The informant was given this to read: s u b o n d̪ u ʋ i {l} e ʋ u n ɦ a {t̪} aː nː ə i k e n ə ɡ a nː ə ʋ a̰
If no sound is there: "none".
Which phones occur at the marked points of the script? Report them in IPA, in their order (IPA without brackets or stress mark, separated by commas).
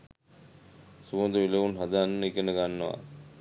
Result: l, d̪